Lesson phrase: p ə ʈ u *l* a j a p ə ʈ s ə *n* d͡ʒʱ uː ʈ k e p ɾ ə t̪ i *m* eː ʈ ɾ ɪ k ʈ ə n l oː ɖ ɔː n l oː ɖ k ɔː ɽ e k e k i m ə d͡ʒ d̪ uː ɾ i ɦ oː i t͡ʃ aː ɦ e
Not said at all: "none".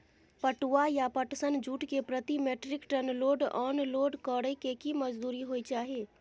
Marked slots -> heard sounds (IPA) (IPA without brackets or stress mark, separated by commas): none, n, m